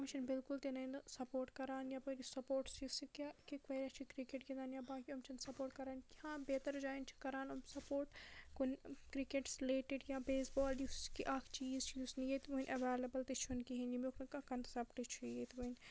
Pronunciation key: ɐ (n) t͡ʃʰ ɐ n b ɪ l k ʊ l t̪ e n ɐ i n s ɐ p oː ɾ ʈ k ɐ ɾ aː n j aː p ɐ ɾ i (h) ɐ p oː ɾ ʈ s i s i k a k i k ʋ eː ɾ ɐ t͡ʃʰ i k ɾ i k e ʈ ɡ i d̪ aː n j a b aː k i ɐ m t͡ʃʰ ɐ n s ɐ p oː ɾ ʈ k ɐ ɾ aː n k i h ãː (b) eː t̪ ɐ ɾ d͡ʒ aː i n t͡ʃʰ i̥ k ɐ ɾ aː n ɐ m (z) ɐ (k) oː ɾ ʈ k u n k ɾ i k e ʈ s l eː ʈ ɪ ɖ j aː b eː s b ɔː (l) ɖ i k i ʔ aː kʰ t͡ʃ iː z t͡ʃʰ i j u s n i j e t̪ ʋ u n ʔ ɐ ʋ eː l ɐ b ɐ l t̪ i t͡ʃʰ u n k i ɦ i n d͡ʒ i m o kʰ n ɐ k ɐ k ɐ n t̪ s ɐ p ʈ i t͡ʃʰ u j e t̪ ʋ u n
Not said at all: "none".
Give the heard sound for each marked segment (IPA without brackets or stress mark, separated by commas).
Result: m, s, b, s, p, l